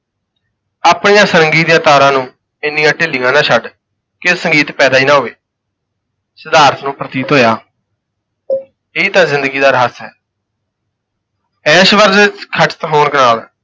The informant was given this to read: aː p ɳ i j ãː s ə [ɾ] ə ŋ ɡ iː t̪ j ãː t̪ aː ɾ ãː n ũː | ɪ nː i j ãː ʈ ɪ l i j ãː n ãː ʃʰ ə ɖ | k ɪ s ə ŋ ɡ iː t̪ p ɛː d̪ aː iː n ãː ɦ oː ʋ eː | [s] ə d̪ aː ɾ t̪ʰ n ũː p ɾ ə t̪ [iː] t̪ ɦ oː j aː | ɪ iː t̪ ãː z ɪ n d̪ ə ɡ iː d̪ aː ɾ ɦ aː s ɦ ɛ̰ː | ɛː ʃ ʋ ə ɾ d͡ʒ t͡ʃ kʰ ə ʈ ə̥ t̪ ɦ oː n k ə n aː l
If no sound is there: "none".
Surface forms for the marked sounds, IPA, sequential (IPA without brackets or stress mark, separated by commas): ɾ, s, iː